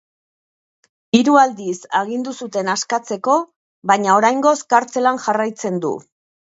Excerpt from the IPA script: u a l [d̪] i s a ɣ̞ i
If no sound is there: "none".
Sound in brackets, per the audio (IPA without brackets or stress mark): d̪